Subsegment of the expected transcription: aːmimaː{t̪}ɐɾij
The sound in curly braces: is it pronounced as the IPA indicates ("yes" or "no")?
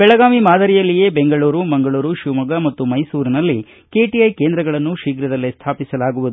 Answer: no